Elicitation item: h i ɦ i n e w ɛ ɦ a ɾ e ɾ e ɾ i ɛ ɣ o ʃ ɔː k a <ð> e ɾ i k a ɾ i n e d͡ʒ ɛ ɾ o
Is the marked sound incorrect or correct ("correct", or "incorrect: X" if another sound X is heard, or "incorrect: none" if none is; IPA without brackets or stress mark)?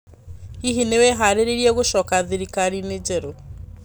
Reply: correct